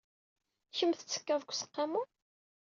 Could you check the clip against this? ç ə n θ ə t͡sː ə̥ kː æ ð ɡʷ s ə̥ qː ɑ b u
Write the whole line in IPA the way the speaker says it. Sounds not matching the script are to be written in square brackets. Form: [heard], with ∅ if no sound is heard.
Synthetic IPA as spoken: ç ə [m] θ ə t͡sː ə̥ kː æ [v] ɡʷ s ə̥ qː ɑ [m] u